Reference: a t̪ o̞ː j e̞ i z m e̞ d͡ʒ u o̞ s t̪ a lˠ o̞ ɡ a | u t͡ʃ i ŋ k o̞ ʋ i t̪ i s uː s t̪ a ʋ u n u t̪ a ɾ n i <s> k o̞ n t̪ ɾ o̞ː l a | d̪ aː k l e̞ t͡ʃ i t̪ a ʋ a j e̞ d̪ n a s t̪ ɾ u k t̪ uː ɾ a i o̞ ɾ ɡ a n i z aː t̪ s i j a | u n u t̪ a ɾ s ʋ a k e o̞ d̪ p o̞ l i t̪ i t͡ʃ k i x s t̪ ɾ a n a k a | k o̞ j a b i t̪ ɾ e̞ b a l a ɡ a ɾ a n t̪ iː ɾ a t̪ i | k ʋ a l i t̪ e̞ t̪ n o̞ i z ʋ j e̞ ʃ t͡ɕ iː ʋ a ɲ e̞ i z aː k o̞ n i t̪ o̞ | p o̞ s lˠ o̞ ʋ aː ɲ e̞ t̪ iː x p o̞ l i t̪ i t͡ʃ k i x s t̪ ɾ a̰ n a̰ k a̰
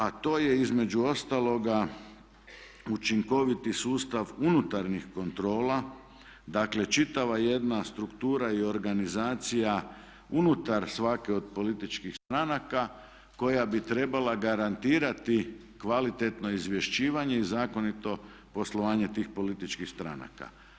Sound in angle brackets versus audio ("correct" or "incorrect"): incorrect